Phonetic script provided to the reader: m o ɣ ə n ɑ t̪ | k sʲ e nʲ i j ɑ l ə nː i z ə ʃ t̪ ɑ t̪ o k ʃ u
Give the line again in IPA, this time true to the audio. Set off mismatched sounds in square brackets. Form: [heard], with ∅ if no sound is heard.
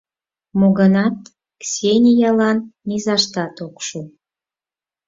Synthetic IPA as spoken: m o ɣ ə n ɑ t̪ | k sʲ e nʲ i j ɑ l [ɑ] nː i z [ɑ] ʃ t̪ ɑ t̪ o k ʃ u